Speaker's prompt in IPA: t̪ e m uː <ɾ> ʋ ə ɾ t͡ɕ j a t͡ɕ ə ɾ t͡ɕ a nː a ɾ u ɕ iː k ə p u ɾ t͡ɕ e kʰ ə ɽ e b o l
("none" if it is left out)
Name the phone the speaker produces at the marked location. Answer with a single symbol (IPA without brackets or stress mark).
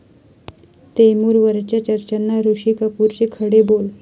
ɾ